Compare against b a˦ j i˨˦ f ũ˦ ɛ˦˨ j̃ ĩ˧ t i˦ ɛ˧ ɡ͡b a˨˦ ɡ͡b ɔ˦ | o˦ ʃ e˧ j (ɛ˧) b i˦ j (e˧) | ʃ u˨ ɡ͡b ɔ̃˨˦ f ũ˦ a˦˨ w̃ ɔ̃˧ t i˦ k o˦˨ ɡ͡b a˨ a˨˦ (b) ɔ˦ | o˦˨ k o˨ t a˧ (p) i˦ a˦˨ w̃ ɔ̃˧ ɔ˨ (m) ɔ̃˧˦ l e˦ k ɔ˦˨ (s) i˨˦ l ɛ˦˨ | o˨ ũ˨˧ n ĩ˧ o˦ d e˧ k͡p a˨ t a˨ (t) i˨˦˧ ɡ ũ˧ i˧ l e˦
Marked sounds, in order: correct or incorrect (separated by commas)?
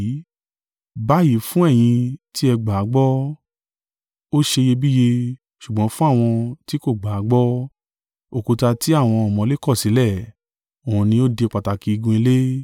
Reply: incorrect, correct, incorrect, incorrect, correct, correct, incorrect